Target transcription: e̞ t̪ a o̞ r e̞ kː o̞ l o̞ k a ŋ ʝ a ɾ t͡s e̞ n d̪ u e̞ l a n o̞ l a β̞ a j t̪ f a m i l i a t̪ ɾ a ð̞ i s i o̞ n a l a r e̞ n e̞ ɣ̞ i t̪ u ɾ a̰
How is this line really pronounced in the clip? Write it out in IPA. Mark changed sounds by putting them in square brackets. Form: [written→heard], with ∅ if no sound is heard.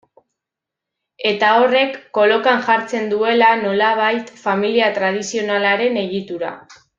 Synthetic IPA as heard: e̞ t̪ a o̞ r e̞ kː o̞ l o̞ k a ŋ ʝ a ɾ t͡s e̞ n d̪ u e̞ l a n o̞ l a β̞ a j t̪ f a m i l i a t̪ ɾ a ð̞ i s i o̞ n a l a [r→ɾ] e̞ n e̞ ɣ̞ i t̪ u ɾ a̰